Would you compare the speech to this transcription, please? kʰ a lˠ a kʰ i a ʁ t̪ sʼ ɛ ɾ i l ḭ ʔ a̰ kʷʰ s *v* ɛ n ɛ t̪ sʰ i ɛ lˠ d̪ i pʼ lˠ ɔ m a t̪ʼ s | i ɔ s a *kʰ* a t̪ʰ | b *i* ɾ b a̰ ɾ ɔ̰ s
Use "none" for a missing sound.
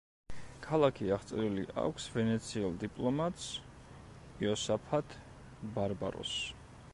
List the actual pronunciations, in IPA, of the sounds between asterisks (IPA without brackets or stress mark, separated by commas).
v, pʰ, a